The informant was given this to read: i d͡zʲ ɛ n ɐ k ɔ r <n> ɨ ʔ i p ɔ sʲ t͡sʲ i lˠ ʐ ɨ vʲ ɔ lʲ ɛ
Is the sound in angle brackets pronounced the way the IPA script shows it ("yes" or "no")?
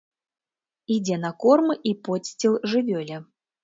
no